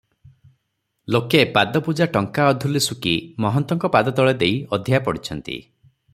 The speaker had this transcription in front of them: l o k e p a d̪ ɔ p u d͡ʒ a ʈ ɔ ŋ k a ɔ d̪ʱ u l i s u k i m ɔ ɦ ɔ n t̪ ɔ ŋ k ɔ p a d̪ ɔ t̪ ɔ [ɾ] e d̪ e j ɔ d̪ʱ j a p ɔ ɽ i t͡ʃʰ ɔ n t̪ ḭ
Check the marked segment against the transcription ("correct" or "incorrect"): incorrect